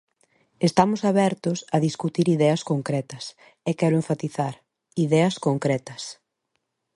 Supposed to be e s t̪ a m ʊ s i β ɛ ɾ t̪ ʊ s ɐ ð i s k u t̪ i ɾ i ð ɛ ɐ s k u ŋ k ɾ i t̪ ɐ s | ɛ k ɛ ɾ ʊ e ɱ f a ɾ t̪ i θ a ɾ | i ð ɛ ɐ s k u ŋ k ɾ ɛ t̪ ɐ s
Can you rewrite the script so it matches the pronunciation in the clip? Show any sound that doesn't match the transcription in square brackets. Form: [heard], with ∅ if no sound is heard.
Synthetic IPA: e s t̪ a m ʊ s [a] β ɛ ɾ t̪ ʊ s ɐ ð i s k u t̪ i ɾ i ð ɛ ɐ s k [o] ŋ k ɾ [ɛ] t̪ ɐ s | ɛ k ɛ ɾ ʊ e ɱ f a [∅] t̪ i θ a ɾ | i ð ɛ ɐ s k [o] ŋ k ɾ ɛ t̪ ɐ s